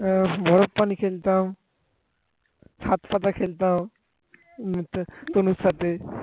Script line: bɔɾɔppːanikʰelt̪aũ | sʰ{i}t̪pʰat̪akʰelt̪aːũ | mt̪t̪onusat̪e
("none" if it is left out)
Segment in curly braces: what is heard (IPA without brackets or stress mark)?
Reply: a